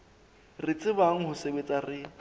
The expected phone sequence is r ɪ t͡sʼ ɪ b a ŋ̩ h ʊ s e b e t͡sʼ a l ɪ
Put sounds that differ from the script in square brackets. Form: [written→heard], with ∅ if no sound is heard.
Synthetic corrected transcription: r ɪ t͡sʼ ɪ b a ŋ̩ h ʊ s e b e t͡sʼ a [l→r] ɪ